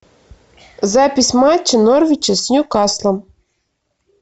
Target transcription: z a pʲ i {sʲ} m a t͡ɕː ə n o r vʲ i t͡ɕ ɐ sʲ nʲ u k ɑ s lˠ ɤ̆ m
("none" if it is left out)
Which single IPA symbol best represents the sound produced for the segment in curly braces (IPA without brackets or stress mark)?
sʲ